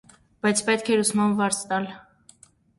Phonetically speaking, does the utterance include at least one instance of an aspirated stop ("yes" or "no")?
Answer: yes